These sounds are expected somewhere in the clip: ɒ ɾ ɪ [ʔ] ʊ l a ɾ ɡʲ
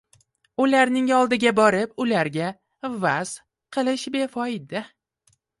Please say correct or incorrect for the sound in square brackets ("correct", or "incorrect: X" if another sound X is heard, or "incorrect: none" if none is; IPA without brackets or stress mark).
incorrect: p